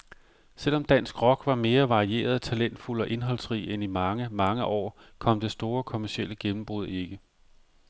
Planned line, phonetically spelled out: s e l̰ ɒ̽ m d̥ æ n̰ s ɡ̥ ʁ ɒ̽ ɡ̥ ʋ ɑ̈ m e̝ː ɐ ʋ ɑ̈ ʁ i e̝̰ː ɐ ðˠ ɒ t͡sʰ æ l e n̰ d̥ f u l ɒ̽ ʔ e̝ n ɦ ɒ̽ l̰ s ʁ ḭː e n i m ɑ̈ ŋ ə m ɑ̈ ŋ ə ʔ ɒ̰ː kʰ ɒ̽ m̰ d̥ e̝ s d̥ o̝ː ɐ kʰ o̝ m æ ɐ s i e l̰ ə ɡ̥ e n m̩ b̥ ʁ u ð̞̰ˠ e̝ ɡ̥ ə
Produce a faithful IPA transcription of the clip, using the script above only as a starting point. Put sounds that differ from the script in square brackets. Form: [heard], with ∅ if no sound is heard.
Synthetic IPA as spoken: s e l̰ ɒ̽ m d̥ æ n̰ s ɡ̥ ʁ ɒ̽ ɡ̥ ʋ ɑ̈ m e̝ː ɐ ʋ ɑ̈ ʁ i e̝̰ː ɐ ðˠ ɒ t͡sʰ æ l e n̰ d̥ f u l ɒ̽ ʔ e̝ n ɦ ɒ̽ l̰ s ʁ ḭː e n i m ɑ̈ ŋ ə m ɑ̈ ŋ ə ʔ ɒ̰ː kʰ ɒ̽ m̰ d̥ e̝ s d̥ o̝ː ɐ kʰ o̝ m æ ɐ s i e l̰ ə ɡ̥ e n m̩ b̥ ʁ u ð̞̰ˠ e̝ ɡ̥ ə